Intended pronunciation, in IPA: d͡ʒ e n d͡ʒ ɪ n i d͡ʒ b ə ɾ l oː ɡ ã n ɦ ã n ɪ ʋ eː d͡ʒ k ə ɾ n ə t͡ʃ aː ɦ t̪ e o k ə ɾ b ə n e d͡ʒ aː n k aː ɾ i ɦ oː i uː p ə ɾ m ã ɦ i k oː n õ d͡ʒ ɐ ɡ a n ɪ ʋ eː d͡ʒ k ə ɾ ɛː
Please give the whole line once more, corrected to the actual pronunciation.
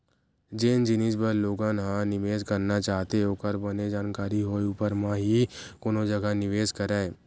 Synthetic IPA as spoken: d͡ʒ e n d͡ʒ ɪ n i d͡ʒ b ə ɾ l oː ɡ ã n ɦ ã n ɪ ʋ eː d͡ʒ k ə ɾ n a t͡ʃ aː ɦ t̪ e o k ə ɾ b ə n e d͡ʒ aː n k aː ɾ i ɦ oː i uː p ə ɾ m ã ɦ i k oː n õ d͡ʒ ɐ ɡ a n ɪ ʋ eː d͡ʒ k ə ɾ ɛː